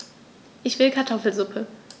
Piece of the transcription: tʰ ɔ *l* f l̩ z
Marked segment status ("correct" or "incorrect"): incorrect